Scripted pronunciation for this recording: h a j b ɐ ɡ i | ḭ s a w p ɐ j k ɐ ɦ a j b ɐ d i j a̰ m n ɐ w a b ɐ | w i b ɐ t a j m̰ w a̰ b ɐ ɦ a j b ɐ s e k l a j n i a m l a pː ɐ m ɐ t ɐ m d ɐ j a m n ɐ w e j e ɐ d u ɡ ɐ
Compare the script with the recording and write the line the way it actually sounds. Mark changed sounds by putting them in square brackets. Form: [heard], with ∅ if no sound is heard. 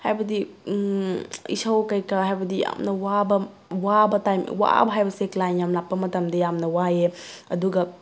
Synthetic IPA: h a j b ɐ [d] i | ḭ s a w [k] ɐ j k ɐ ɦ a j b ɐ d i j a̰ m n ɐ w a b ɐ | w [a] b ɐ t a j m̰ w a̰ b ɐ ɦ a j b ɐ s e k l a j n [j] a m l a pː ɐ m ɐ t ɐ m d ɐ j a m n ɐ w [a] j e ɐ d u ɡ ɐ

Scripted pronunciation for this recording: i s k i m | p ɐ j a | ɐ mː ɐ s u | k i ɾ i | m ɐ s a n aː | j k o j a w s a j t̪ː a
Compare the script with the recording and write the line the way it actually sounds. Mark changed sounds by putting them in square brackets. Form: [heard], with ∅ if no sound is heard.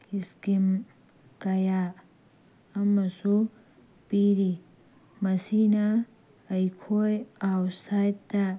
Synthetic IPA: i s k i m | [k] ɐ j a | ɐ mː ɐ s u | [p] i ɾ i | m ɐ s [i] n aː | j [kʰ] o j a w s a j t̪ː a

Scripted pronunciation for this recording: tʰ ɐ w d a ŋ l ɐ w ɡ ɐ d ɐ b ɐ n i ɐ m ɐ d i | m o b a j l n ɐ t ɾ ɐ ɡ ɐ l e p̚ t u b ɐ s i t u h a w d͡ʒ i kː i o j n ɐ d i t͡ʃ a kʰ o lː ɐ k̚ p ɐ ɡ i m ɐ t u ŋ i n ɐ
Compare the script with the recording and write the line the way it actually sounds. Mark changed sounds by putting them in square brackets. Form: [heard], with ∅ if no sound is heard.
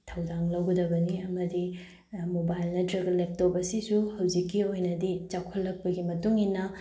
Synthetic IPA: tʰ ɐ w d a ŋ l ɐ w ɡ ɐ d ɐ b ɐ n i ɐ m ɐ d i | m o b a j l n ɐ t ɾ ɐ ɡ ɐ l e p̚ t [o] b ɐ s i [s] u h [ɐ] w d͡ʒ i kː i o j n ɐ d i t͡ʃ a kʰ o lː ɐ k̚ p ɐ ɡ i m ɐ t u ŋ i n ɐ

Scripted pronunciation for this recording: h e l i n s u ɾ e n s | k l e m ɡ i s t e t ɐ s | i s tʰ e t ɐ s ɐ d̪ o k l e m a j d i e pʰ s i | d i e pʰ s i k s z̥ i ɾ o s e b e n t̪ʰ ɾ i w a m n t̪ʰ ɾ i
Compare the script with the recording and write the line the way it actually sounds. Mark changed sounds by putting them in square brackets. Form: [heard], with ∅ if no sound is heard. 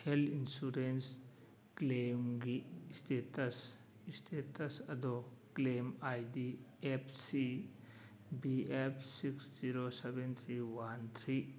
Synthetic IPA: h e l i n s u ɾ e n s | k l e m ɡ i s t e t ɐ s | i s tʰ e t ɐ s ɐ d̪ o k l e m a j d i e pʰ s i | [b] i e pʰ s i k s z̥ i ɾ o s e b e n t̪ʰ ɾ i w a [∅] n t̪ʰ ɾ i

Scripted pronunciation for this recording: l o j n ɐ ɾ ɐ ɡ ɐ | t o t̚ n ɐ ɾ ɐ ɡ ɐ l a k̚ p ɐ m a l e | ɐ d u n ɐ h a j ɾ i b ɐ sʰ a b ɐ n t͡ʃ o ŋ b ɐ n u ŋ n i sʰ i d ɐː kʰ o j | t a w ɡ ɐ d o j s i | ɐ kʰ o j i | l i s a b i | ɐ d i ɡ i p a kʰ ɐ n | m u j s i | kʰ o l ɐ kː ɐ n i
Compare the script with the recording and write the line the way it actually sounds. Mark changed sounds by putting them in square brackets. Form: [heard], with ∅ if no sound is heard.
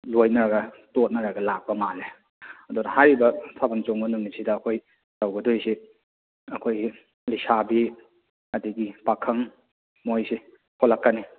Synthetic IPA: l o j n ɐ ɾ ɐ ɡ ɐ | t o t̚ n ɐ ɾ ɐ ɡ ɐ l a k̚ p ɐ m a l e | ɐ d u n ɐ h a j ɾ i b ɐ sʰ a b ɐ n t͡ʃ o ŋ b ɐ n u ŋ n i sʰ i d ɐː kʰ o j | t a w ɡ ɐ d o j s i | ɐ kʰ o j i | l i s a b i | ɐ d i ɡ i p a kʰ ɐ [ŋ] | m [o] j s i | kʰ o l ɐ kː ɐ n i

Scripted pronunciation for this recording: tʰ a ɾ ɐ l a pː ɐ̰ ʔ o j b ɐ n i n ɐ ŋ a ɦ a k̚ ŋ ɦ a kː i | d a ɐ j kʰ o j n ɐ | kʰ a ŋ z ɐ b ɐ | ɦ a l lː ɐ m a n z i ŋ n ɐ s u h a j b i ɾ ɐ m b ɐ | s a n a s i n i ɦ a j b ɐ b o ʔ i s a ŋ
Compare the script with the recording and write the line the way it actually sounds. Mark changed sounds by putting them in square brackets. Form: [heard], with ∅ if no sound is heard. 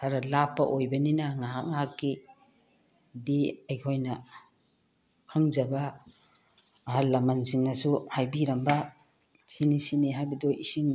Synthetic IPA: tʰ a ɾ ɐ l a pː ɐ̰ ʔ o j b ɐ n i n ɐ ŋ a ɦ a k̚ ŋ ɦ a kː i | d [i] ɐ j kʰ o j n ɐ | kʰ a ŋ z ɐ b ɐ | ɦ a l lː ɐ m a n [s] i ŋ n ɐ s u h a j b i ɾ ɐ m b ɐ | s [i] n [i] s i n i ɦ a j b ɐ [d] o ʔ i s [i] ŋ

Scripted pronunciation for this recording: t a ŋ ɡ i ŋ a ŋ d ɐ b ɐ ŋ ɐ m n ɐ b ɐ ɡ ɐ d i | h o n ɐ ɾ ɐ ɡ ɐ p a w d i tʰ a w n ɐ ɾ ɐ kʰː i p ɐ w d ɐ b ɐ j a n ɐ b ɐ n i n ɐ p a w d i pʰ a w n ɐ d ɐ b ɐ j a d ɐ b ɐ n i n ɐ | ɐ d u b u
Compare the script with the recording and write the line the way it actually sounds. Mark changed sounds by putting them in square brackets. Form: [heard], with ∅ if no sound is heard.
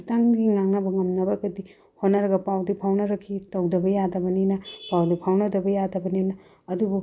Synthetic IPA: t a ŋ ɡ i ŋ a ŋ [n] ɐ b ɐ ŋ ɐ m n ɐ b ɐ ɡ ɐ d i | h o n ɐ ɾ ɐ ɡ ɐ p a w d i [pʰ] a w n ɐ ɾ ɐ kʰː i [t] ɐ w d ɐ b ɐ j a [d] ɐ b ɐ n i n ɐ p a w d i pʰ a w n ɐ d ɐ b ɐ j a d ɐ b ɐ n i n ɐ | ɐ d u b u

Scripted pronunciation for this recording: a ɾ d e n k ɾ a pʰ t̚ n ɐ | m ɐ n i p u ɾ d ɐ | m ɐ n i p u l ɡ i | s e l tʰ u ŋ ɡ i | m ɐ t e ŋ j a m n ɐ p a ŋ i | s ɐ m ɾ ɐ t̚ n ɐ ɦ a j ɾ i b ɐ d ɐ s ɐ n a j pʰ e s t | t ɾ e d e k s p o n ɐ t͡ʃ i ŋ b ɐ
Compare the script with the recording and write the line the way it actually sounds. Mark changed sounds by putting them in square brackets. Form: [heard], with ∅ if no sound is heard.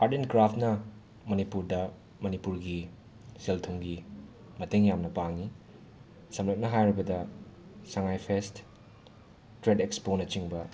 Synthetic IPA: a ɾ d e n k ɾ a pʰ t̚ n ɐ | m ɐ n i p u ɾ d ɐ | m ɐ n i p u [ɾ] ɡ i | s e l tʰ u ŋ ɡ i | m ɐ t e ŋ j a m n ɐ p a ŋ i | s ɐ m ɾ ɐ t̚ n ɐ ɦ a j ɾ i b ɐ d ɐ s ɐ [ŋ] a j pʰ e s t | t ɾ e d e k s p o n ɐ t͡ʃ i ŋ b ɐ

